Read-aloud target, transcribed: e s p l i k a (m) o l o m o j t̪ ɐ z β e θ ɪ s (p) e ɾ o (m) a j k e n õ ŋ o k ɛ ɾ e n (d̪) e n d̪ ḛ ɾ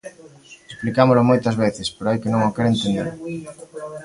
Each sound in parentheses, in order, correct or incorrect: correct, correct, incorrect: none, incorrect: t̪

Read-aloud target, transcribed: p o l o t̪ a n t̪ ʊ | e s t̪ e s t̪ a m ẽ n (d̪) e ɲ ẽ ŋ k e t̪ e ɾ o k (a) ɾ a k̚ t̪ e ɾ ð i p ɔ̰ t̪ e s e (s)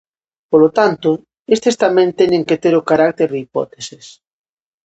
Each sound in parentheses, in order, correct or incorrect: incorrect: t̪, correct, correct

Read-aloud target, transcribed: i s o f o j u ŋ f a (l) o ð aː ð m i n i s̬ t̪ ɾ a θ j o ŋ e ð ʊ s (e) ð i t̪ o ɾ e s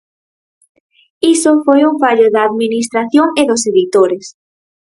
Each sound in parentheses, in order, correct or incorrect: incorrect: ʎ, correct

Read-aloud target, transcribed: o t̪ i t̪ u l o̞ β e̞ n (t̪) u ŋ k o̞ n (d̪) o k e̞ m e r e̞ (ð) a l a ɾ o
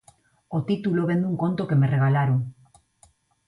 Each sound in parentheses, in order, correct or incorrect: incorrect: d̪, incorrect: t̪, incorrect: ɣ

